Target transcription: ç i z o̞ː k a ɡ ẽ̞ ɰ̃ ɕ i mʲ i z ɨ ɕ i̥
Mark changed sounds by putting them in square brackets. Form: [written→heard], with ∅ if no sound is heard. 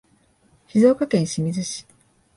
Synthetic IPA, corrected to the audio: ç i z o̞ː k a [ɡ→k] ẽ̞ ɰ̃ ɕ i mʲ i z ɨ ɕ i̥